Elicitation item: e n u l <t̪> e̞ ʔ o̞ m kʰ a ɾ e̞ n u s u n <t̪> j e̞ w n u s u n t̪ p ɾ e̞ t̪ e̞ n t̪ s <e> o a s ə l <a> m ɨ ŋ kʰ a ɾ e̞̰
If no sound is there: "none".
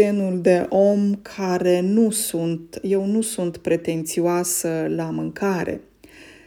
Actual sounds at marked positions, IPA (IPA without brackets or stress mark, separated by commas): d̪, t̪, i, a